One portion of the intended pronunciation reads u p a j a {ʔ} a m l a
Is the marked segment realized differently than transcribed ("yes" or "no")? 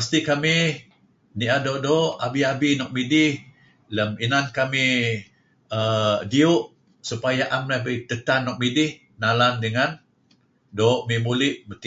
no